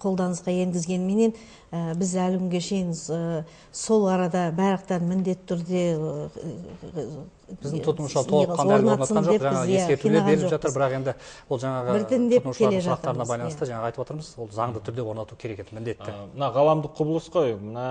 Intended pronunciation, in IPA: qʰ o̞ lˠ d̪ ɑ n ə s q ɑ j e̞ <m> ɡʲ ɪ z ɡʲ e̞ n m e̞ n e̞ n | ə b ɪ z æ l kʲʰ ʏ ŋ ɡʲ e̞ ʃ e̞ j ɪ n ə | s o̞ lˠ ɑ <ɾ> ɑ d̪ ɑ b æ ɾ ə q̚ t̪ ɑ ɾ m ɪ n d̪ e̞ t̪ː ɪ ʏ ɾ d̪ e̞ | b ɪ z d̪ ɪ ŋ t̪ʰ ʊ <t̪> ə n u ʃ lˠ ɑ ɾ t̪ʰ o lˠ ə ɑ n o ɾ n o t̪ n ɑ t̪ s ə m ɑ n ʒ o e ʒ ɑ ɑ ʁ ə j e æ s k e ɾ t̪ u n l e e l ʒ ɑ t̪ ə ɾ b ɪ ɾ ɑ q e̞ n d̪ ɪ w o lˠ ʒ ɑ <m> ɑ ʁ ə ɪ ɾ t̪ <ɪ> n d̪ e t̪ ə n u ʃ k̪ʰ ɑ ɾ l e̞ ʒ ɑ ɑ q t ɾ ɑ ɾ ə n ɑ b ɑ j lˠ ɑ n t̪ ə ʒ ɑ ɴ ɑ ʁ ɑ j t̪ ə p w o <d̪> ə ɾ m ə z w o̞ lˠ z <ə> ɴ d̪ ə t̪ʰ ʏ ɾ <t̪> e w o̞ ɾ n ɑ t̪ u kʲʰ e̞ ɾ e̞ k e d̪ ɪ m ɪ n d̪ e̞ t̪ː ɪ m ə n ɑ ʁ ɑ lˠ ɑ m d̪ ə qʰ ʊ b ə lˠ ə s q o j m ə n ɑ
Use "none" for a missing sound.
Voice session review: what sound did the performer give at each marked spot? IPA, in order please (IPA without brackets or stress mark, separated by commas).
ŋ, ɾ, t̪, ɴ, ɪ, t̪, ɑ, d̪